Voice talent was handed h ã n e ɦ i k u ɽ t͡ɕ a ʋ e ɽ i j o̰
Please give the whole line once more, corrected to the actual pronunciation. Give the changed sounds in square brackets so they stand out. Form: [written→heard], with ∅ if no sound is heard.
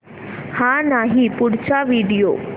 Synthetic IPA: h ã n [e→a] ɦ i [k→p] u ɽ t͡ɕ a ʋ [e→i] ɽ i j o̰